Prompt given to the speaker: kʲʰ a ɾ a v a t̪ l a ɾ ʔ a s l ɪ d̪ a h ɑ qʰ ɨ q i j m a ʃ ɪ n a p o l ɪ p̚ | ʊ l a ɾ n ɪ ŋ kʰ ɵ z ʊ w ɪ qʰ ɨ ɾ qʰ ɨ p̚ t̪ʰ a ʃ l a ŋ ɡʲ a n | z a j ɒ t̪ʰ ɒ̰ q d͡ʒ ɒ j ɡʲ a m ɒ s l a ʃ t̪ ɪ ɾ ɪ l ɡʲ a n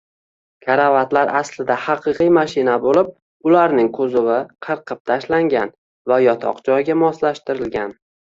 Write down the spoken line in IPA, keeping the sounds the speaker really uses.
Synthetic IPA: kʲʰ a ɾ a v a t̪ l a ɾ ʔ a s l ɪ d̪ a h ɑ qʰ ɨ q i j m a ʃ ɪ n a b o l ɪ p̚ | ʊ l a ɾ n ɪ ŋ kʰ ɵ z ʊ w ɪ qʰ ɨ ɾ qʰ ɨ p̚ t̪ʰ a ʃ l a ŋ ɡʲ a n | v a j ɒ t̪ʰ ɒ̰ q d͡ʒ ɒ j ɡʲ a m ɒ s l a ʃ t̪ ɪ ɾ ɪ l ɡʲ a n